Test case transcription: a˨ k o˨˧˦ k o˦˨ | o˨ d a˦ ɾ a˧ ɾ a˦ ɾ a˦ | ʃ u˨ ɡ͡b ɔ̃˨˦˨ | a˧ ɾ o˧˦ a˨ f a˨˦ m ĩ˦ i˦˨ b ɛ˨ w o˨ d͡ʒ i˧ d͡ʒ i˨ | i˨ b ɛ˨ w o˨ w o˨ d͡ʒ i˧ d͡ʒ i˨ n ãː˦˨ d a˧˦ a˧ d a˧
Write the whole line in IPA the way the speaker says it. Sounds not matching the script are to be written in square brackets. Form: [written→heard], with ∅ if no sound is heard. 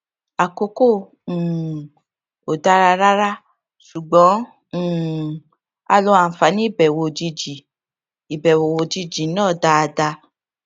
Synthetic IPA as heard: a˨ k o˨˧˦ k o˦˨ | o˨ d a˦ ɾ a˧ ɾ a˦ ɾ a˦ | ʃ u˨ ɡ͡b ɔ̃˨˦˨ | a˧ [ɾ→l] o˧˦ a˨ f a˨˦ [m→n] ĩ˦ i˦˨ b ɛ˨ w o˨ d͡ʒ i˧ d͡ʒ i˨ | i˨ b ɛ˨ w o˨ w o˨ d͡ʒ i˧ d͡ʒ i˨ n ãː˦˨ d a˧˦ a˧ d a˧

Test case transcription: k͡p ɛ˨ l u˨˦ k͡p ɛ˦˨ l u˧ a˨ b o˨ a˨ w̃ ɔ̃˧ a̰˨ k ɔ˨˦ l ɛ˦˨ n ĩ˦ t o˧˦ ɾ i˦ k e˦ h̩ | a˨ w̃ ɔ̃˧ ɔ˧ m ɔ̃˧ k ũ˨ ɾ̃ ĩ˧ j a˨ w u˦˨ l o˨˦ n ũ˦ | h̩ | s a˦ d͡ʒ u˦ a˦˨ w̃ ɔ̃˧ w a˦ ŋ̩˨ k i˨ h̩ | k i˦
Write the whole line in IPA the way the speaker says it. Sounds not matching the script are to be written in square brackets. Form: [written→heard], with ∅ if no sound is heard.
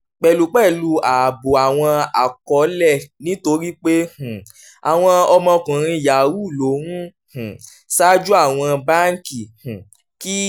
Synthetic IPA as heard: k͡p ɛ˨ l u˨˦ k͡p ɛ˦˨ l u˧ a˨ b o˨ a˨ w̃ ɔ̃˧ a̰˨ k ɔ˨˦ l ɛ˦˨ n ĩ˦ t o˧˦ ɾ i˦ [k→k͡p] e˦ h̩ | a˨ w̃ ɔ̃˧ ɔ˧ m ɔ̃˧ k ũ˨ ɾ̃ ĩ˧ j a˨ w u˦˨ l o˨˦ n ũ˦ | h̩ | s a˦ d͡ʒ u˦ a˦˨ w̃ ɔ̃˧ [w→b] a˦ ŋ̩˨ k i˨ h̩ | k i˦

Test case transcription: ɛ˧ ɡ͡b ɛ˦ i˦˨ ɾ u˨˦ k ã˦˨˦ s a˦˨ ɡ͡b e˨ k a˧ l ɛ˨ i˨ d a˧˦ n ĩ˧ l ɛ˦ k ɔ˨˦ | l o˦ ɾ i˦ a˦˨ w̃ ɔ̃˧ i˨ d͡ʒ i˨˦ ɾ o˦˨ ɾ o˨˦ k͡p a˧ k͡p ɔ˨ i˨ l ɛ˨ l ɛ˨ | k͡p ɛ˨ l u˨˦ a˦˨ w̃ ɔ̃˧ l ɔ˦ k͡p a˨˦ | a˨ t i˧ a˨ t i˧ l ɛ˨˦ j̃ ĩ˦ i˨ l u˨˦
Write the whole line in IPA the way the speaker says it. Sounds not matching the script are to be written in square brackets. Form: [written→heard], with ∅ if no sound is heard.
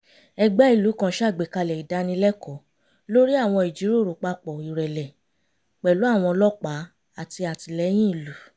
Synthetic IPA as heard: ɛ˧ ɡ͡b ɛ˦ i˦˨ [ɾ→l] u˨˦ k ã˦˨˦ [s→ʃ] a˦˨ ɡ͡b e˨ k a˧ l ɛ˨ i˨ d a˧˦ n ĩ˧ l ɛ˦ k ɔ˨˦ | l o˦ ɾ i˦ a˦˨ w̃ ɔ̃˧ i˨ d͡ʒ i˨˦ ɾ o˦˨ ɾ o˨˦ k͡p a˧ k͡p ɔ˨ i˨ [l→ɾ] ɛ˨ l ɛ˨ | k͡p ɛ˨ l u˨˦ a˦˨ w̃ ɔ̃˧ l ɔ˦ k͡p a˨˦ | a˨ t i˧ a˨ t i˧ l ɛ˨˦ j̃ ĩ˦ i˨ l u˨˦

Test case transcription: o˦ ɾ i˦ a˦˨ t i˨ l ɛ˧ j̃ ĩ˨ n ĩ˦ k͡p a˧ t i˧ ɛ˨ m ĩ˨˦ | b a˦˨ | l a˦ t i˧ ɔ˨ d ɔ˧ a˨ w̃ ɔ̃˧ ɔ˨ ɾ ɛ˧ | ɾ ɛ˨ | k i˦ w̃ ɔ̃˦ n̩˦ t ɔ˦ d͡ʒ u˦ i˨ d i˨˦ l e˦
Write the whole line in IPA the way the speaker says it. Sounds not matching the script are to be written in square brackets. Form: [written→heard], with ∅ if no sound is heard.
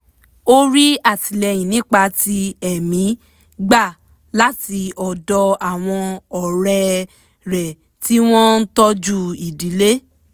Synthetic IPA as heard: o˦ ɾ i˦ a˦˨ t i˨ l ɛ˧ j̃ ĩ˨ n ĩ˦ k͡p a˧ t i˧ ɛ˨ m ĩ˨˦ | [b→ɡ͡b] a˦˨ | l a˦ t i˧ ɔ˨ d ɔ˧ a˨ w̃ ɔ̃˧ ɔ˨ ɾ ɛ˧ | ɾ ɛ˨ | [k→t] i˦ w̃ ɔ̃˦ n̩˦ t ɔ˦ d͡ʒ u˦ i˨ d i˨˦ l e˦

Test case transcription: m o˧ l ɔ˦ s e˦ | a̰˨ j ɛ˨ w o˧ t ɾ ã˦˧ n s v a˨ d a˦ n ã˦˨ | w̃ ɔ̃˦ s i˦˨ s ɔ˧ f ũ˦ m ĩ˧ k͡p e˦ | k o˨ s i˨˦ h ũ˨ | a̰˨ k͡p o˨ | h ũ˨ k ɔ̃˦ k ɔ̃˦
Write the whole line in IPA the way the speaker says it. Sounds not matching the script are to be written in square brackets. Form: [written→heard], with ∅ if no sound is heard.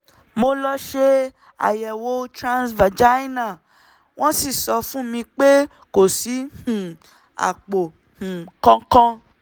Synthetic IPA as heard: m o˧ l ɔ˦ [s→ʃ] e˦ | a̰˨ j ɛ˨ w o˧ t ɾ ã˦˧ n s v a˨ [d→d͡ʒ] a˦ n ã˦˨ | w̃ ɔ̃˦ s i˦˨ s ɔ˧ f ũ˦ m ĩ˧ k͡p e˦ | k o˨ s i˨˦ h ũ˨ | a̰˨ k͡p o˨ | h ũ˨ k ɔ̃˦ k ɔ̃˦

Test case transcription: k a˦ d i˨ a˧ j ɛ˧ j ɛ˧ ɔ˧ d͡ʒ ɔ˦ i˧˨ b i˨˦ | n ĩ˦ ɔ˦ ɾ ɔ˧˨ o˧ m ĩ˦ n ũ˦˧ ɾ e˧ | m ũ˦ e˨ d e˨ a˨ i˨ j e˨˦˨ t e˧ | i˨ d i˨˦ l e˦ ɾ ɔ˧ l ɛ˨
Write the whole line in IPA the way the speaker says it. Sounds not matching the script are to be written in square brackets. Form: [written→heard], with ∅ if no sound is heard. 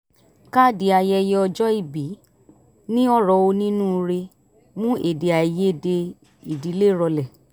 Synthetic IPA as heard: k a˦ d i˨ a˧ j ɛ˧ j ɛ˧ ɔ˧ d͡ʒ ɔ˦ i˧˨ b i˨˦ | n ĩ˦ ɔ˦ ɾ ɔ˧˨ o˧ [m→n] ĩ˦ n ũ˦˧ ɾ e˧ | m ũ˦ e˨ d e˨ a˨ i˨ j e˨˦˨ [t→d] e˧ | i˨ d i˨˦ l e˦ ɾ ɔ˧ l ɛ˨

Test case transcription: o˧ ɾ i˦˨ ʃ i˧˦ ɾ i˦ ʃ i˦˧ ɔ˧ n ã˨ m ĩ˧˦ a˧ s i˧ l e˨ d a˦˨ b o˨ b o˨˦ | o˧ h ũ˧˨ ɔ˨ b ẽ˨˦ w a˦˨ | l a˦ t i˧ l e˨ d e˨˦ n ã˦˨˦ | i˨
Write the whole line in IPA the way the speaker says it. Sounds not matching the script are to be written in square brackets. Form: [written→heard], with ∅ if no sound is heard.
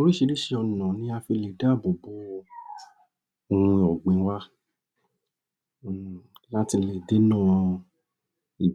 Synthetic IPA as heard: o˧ ɾ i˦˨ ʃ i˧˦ ɾ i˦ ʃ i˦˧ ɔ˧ n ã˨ [m→n] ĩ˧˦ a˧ [s→f] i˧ l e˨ d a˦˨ b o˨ b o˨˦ | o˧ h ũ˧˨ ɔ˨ [b→ɡ͡b] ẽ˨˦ w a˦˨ | l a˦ t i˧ l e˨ d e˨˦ n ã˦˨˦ | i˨

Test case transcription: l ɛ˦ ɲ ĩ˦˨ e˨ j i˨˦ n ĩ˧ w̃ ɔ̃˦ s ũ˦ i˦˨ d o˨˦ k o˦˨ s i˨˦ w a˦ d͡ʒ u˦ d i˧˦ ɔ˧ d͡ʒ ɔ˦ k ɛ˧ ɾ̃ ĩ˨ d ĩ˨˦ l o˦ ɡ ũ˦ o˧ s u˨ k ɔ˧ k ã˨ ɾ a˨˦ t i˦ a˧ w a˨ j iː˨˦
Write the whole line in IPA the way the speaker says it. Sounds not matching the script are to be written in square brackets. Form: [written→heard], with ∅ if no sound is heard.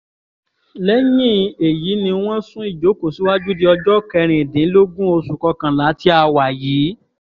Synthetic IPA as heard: l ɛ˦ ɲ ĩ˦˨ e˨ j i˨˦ n ĩ˧ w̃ ɔ̃˦ s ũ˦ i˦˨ [d→d͡ʒ] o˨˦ k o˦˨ s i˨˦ w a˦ d͡ʒ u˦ d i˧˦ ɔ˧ d͡ʒ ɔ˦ k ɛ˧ ɾ̃ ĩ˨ d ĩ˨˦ l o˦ ɡ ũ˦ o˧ s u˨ k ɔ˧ k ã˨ [ɾ→l] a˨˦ t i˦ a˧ w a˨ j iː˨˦

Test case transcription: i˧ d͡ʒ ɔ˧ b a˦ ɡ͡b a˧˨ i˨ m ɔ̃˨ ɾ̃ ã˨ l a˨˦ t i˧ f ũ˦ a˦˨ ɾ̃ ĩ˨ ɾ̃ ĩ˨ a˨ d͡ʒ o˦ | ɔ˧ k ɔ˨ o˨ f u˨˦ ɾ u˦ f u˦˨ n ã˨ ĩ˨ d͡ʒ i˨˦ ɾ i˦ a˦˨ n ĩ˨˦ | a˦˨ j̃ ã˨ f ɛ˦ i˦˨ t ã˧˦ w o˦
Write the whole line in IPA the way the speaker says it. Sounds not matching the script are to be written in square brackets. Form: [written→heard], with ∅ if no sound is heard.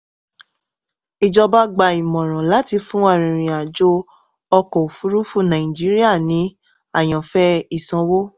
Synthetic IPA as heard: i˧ d͡ʒ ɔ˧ b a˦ ɡ͡b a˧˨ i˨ m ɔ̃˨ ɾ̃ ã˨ l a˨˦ t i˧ f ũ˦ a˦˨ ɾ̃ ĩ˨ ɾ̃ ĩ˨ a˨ d͡ʒ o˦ | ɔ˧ k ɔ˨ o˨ f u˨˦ ɾ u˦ f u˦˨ n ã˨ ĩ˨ d͡ʒ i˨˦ ɾ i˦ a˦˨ n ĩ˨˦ | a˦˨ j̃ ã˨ f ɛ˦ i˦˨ [t→s] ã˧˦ w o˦

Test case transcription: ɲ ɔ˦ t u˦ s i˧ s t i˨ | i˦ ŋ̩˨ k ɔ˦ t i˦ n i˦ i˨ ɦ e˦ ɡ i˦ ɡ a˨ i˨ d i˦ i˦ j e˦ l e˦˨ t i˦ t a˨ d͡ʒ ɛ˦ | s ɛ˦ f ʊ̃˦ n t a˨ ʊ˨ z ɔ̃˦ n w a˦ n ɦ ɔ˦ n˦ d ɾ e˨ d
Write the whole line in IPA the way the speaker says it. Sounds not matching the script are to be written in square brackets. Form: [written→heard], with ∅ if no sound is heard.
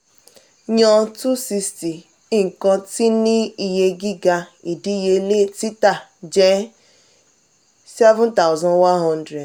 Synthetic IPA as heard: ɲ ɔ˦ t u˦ s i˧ s t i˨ | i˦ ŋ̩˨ k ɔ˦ t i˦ n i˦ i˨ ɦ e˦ ɡ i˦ ɡ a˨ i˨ d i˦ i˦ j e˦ l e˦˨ t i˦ t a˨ d͡ʒ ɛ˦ | s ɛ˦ [f→v] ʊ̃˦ n t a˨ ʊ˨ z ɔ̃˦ n w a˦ n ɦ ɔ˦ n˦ d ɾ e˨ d

